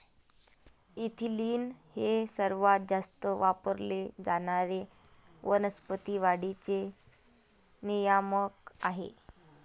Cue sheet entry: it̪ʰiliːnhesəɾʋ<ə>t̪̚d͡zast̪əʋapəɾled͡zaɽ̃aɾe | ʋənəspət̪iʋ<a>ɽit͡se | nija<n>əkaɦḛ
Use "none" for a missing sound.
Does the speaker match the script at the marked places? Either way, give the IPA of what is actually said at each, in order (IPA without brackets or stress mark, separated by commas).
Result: a, a, m